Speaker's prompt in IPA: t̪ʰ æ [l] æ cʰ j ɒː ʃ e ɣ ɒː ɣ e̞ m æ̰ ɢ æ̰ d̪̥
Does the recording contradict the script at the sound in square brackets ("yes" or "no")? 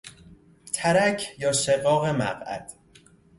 yes